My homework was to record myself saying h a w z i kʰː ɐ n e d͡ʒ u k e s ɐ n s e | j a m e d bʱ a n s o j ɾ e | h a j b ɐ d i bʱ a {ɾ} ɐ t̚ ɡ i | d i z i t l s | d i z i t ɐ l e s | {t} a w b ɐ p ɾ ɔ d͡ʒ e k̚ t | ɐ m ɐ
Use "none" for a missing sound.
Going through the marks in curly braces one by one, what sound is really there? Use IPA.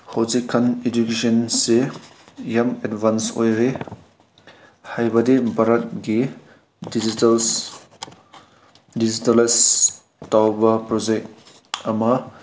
ɾ, t

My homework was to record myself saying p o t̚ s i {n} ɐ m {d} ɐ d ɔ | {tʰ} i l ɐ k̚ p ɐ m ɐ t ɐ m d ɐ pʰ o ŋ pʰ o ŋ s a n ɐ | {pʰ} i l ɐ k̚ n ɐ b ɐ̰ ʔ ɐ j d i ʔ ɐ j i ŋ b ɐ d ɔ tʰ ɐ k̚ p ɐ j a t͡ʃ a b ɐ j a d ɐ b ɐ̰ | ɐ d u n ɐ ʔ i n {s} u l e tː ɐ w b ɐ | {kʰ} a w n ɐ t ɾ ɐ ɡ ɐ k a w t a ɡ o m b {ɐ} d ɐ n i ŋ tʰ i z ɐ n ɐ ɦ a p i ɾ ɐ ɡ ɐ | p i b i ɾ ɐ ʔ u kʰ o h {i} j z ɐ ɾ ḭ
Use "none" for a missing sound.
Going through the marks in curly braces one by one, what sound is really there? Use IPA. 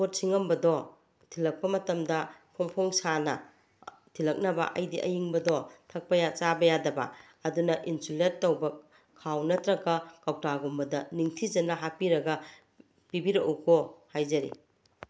ŋ, b, tʰ, tʰ, s, kʰ, ɐ, a

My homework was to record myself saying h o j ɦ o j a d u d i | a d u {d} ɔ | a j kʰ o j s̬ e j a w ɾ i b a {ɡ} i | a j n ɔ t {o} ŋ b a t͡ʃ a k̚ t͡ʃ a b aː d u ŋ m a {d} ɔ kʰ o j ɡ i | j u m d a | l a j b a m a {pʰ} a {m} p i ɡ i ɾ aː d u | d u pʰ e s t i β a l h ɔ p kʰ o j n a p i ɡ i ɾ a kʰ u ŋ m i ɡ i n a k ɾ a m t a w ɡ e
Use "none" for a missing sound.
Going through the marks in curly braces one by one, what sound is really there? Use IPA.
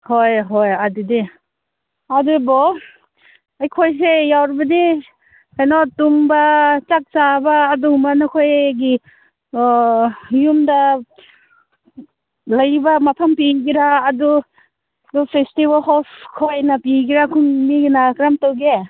b, d, u, n, pʰ, m

